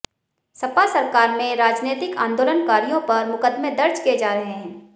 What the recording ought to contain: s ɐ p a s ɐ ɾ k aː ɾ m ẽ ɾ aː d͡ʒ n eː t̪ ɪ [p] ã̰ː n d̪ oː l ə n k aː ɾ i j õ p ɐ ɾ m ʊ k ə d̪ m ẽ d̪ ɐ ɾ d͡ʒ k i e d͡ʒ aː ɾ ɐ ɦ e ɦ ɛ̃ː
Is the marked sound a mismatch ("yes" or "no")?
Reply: yes